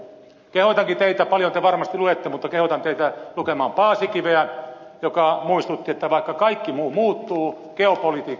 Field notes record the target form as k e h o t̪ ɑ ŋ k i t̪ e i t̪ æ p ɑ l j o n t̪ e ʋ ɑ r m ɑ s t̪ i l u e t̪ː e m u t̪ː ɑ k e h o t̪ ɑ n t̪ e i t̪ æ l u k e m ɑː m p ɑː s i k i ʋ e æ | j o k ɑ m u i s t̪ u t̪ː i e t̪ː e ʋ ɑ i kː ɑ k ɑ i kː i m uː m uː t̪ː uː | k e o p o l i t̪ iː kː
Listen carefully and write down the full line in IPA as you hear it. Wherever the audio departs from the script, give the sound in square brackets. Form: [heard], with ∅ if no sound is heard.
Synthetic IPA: k e h o t̪ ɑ ŋ k i t̪ e i t̪ æ p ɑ l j o n t̪ e ʋ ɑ r m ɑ s t̪ i l u e t̪ː e m u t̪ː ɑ k e h o t̪ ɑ n t̪ e i t̪ æ l u k e m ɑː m p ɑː s i k i ʋ e æ | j o k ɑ m u i s t̪ u t̪ː i e t̪ː [æ] ʋ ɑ i kː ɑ k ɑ i kː i m uː m uː t̪ː uː | k e o p o l i t̪ iː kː